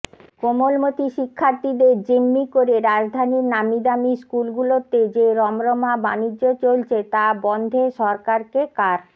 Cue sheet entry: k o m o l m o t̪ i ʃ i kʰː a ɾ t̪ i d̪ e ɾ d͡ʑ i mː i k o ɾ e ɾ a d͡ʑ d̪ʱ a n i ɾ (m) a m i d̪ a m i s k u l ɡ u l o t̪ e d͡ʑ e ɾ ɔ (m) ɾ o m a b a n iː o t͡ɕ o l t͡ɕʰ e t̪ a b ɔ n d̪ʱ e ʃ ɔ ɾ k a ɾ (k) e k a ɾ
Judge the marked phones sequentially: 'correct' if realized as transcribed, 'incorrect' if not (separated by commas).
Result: incorrect, correct, correct